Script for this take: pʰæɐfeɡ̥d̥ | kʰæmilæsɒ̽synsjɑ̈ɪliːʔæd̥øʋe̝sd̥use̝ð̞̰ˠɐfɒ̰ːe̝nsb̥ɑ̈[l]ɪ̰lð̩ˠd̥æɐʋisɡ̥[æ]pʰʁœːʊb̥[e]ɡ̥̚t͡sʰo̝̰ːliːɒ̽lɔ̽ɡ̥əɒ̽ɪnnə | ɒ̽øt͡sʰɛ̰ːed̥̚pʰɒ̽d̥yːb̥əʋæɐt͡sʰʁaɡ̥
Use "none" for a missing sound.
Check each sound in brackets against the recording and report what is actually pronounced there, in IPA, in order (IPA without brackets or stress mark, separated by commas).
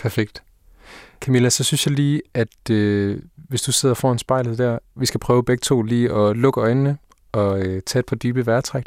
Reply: none, æ, e